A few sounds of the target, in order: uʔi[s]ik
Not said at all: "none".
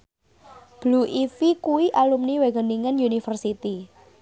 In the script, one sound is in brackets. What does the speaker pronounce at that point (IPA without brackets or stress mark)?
f